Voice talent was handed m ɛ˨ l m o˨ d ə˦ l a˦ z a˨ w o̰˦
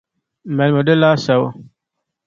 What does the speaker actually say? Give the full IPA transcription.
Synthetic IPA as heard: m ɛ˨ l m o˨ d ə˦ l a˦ s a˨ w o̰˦

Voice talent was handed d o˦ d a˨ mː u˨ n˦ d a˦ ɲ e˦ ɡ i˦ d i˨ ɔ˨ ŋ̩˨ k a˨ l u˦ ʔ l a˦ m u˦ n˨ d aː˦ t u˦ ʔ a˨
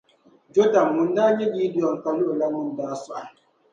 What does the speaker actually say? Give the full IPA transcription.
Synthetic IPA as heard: d͡ʒ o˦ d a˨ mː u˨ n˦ d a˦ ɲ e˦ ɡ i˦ d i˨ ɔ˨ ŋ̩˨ k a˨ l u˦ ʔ l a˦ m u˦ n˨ d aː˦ s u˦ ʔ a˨

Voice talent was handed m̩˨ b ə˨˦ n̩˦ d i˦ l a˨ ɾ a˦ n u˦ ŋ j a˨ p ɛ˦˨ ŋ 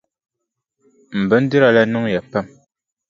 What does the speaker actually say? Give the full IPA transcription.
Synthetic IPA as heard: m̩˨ b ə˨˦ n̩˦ d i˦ ɾ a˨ l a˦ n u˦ ŋ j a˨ p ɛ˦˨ m

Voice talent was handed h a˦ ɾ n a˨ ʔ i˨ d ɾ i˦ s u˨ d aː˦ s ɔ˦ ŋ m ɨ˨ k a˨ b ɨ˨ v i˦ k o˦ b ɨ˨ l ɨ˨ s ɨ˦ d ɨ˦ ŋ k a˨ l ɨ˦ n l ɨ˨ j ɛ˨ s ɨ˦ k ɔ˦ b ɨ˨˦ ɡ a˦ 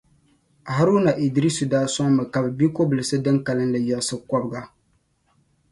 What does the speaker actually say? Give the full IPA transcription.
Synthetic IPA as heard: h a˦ ɾ n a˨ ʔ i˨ d ɾ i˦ s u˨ d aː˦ s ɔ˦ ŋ m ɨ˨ k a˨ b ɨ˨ b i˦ k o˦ b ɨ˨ l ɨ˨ s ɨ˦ d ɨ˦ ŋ k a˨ l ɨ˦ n l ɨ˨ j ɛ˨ s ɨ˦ k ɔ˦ b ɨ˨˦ ɡ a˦

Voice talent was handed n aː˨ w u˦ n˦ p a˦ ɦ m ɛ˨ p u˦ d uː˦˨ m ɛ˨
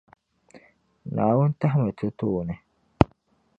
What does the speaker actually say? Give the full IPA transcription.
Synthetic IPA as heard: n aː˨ w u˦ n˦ t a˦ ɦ m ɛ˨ t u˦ t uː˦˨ n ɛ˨

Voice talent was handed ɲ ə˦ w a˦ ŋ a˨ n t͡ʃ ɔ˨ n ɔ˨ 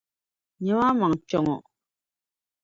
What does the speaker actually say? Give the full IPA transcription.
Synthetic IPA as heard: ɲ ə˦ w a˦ m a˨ ŋ t͡ʃ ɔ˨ ŋ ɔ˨

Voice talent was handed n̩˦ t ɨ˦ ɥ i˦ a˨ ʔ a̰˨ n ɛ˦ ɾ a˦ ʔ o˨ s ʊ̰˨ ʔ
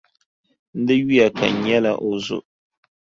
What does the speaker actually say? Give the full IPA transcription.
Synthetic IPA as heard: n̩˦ d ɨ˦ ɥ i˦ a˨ k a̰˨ ɲ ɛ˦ l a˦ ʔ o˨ z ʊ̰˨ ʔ

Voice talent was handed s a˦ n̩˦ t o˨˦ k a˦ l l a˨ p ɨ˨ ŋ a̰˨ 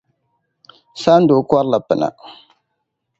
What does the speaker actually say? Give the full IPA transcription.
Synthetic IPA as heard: s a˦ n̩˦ d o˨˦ k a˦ ɾ l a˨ p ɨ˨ n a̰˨

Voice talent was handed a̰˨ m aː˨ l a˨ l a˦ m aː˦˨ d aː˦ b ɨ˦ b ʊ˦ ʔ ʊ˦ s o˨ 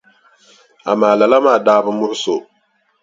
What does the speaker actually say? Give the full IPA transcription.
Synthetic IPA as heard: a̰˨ m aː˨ l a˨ l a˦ m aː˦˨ d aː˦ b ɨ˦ m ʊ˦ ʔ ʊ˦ s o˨

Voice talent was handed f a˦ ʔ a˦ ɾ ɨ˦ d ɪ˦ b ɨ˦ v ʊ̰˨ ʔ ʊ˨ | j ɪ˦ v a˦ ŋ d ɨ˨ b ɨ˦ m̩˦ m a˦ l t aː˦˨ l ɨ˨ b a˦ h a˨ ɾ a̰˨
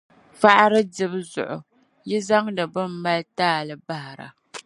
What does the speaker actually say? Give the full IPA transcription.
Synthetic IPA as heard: f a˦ ʔ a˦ ɾ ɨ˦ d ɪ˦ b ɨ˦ z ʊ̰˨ ʔ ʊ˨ | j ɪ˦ z a˦ ŋ d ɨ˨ b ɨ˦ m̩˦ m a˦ l t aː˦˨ l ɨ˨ b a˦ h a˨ ɾ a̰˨

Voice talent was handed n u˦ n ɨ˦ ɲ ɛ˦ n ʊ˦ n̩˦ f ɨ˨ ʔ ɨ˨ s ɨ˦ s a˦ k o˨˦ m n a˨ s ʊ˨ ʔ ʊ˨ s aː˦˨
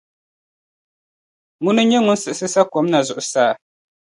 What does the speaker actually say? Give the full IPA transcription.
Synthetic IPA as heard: ŋ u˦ n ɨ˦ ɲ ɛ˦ ŋ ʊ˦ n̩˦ s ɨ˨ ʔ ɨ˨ s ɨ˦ s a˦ k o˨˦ m n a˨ z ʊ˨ ʔ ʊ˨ s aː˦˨

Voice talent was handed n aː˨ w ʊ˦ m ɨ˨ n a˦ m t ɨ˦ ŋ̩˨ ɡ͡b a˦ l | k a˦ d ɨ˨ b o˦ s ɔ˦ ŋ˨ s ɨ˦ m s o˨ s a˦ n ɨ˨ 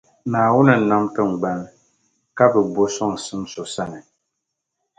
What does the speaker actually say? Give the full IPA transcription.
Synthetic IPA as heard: n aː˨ w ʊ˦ n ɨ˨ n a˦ m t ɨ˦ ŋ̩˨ ɡ͡b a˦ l | k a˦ b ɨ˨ b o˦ s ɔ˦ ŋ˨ s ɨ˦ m s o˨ s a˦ n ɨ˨

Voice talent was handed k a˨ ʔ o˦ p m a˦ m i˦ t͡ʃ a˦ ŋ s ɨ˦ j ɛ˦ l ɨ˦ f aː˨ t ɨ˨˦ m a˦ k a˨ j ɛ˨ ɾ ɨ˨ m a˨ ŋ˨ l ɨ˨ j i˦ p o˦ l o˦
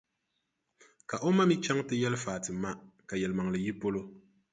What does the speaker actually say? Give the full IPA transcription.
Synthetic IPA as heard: k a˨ ʔ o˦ m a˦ m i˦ t͡ʃ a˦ ŋ t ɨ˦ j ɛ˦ l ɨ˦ f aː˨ t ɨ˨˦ m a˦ k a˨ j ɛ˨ l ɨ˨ m a˨ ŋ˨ l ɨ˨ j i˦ p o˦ l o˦

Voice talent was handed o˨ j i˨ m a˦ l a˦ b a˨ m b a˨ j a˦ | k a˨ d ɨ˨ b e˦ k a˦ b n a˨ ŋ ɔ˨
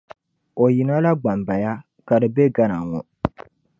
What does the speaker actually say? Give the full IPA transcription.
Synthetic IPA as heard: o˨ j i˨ n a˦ l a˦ ɡ͡b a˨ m b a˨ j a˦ | k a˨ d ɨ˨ b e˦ ɡ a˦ n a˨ ŋ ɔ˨

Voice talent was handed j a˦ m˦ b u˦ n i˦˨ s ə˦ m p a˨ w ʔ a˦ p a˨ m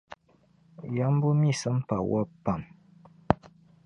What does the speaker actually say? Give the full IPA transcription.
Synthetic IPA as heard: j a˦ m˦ b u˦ m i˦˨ s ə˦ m p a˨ w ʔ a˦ p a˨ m

